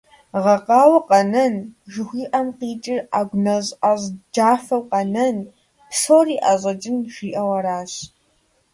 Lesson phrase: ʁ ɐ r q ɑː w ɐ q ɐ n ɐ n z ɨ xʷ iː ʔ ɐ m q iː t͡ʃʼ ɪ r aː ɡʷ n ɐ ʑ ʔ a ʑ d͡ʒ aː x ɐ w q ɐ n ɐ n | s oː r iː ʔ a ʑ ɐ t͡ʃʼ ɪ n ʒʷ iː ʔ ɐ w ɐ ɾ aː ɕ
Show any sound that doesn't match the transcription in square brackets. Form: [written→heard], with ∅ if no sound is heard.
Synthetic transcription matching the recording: ʁ ɐ [r→∅] q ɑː w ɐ q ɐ n ɐ n [z→ʒ] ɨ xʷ iː ʔ ɐ m q iː t͡ʃʼ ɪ r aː ɡʷ n ɐ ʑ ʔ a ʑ d͡ʒ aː [x→f] ɐ w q ɐ n ɐ n | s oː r iː ʔ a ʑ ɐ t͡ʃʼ ɪ n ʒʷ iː ʔ ɐ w ɐ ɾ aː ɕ